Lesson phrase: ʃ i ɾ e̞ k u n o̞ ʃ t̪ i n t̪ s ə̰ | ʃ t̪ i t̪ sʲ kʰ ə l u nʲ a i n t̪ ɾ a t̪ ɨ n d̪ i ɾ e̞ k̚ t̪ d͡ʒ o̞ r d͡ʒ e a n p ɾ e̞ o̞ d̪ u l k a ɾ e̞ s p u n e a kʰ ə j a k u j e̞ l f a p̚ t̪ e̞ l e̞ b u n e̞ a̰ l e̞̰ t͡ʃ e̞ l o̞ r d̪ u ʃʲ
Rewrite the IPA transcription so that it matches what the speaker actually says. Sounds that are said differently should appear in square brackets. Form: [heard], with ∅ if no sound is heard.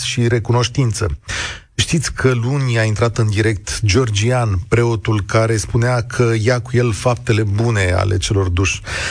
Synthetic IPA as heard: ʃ i ɾ e̞ k u n o̞ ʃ t̪ i n t̪ s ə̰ | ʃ t̪ i t̪ sʲ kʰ ə l u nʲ a i n t̪ ɾ a t̪ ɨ n d̪ i ɾ e̞ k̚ t̪ d͡ʒ o̞ r d͡ʒ [i] a n p ɾ e̞ o̞ [t̪] u l k a ɾ e̞ s p u n e a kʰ ə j a k u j e̞ l f a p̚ t̪ e̞ l e̞ b u n e̞ a̰ l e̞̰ t͡ʃ e̞ l o̞ r d̪ u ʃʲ